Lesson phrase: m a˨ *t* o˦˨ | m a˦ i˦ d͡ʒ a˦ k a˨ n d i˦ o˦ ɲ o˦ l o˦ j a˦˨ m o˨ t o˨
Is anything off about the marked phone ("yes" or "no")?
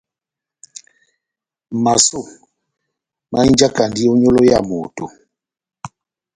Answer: yes